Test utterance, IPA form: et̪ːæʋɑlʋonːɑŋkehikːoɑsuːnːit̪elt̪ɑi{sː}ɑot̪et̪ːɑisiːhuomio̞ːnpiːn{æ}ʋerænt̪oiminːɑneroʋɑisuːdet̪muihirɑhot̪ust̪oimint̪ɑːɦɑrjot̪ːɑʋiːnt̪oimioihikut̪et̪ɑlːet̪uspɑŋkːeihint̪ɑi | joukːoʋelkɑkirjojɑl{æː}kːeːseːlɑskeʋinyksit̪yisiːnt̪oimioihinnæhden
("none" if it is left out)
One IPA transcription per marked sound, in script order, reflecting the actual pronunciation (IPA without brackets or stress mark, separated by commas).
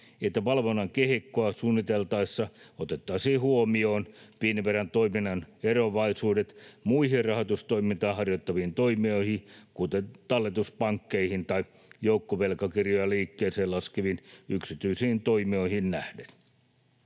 sː, i, iː